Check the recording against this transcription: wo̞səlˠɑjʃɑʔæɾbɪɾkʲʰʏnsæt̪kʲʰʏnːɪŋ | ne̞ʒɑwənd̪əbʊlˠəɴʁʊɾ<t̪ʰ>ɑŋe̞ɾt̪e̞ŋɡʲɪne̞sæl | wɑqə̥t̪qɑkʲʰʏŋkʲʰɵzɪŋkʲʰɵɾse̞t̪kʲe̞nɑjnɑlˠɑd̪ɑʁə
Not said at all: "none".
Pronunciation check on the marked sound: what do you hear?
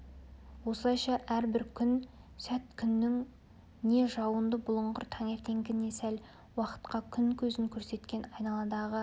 t̪ʰ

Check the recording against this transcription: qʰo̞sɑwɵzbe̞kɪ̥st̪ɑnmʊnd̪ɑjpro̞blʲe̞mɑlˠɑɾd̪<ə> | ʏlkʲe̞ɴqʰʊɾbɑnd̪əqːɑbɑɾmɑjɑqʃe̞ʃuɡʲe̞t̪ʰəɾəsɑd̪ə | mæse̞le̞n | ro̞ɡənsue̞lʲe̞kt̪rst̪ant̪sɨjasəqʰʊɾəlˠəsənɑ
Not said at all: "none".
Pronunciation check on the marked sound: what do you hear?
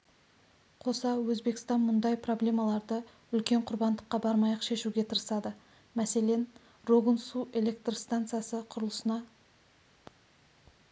ə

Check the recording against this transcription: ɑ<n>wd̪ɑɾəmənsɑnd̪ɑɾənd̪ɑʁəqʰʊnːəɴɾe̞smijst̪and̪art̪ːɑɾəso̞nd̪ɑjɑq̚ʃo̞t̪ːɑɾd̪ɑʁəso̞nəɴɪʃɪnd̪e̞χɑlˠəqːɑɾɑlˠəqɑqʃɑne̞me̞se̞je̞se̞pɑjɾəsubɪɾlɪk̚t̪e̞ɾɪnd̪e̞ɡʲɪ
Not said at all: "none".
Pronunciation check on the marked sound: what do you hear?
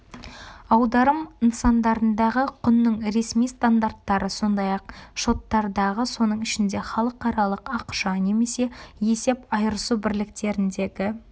none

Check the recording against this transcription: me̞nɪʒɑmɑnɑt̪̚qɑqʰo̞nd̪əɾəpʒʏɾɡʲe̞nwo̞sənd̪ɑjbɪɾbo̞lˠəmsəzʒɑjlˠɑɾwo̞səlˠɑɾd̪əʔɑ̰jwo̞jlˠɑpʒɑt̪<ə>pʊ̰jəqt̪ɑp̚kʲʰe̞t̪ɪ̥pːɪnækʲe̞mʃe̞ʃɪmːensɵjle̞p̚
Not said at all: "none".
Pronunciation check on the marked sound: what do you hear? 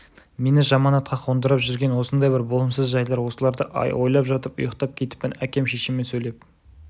ə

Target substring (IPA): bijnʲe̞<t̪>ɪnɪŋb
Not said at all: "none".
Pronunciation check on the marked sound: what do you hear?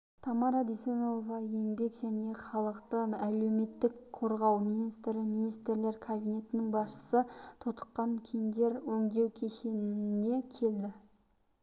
t̪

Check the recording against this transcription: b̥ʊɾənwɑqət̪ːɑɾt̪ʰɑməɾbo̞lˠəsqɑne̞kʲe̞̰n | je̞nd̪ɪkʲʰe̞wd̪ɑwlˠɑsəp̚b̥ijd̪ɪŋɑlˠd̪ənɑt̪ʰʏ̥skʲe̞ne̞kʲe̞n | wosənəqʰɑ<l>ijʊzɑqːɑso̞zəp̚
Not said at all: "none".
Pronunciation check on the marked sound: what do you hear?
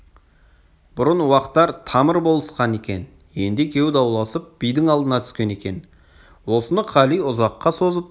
l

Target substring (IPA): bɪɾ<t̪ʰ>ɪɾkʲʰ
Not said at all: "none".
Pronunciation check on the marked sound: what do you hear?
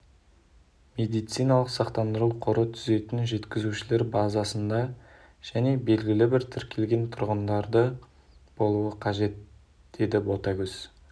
t̪ʰ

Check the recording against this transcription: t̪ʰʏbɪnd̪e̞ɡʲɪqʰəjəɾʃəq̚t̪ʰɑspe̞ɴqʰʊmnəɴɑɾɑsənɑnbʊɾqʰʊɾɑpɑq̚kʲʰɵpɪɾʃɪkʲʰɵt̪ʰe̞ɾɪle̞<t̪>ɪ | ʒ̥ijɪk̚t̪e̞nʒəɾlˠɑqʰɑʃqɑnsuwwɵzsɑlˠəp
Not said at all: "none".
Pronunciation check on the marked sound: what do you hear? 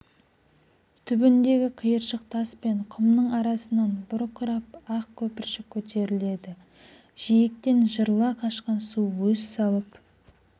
d̪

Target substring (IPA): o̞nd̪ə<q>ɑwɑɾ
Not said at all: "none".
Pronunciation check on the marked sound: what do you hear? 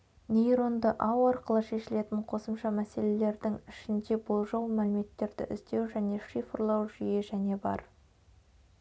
ʔ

